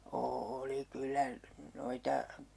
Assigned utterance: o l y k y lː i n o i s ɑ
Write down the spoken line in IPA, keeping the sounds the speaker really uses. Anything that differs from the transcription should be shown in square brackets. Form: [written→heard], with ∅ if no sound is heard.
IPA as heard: [o→oː] l [y→i] k y lː [i→æ] n o i [s→t] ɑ